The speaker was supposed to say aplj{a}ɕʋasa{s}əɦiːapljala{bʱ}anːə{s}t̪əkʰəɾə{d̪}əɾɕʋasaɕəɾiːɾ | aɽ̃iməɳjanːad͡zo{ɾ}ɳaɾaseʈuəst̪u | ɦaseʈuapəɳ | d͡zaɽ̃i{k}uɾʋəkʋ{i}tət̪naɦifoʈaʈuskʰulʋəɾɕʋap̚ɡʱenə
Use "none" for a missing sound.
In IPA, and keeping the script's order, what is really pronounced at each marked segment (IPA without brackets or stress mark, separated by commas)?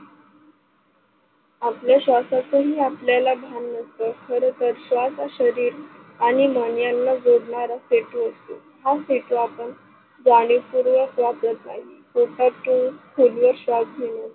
a, t͡s, bʱ, s, t̪, ɽ, p, a